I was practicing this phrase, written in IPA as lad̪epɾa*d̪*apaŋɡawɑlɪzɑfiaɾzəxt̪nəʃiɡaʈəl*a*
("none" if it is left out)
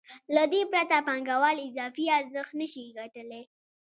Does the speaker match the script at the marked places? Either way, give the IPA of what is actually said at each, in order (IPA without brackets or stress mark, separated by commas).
t̪, e